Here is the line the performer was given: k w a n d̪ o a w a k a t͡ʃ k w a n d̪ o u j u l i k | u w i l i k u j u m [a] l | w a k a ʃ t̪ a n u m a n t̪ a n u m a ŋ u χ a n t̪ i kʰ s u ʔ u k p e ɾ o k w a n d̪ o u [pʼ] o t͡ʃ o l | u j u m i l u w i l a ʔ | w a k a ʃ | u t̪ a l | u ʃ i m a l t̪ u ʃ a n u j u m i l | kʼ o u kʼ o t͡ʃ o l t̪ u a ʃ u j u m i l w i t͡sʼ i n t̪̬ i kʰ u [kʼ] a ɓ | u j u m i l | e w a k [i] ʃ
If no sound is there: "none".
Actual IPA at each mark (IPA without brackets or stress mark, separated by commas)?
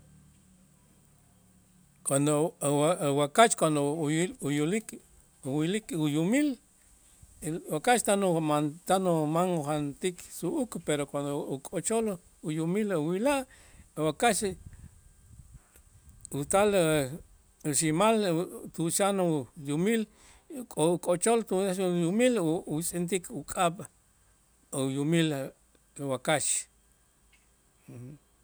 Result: i, kʼ, kʼ, a